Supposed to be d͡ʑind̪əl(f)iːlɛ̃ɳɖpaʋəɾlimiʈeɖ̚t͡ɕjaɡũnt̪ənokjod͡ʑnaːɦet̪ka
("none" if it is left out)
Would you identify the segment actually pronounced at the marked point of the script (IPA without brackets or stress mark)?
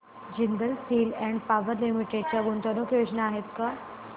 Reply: s